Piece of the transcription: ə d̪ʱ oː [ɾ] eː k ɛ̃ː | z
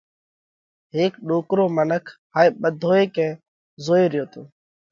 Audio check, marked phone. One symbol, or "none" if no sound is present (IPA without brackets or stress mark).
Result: none